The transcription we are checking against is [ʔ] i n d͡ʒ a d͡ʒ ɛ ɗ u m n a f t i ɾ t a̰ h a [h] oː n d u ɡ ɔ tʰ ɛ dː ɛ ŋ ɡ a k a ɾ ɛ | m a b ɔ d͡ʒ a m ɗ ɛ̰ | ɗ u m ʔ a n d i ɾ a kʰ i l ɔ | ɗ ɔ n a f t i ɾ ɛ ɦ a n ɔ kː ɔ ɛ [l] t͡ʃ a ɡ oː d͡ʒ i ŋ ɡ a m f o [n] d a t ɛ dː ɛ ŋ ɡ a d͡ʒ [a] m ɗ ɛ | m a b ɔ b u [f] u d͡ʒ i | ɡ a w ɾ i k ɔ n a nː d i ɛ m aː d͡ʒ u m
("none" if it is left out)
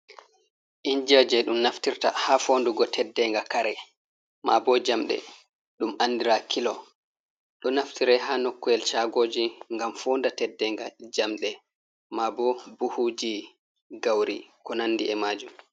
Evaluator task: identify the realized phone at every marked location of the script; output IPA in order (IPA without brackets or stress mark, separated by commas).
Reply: ʔ, f, l, n, a, h